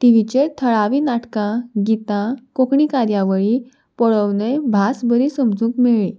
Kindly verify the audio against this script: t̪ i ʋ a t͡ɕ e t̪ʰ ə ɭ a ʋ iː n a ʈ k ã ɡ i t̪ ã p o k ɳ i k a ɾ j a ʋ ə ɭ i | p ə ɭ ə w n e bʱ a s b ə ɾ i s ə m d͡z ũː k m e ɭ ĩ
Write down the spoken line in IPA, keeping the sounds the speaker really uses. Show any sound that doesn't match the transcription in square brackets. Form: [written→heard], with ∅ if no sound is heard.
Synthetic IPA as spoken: t̪ i ʋ [a→i] t͡ɕ e t̪ʰ ə ɭ a ʋ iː n a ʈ k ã ɡ i t̪ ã [p→k] o k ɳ i k a ɾ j a ʋ ə ɭ i | p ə ɭ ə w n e bʱ a s b ə ɾ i s ə m d͡z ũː k m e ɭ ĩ